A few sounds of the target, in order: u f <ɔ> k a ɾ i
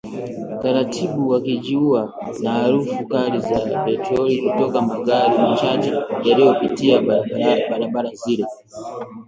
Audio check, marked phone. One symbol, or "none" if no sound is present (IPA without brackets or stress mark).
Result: u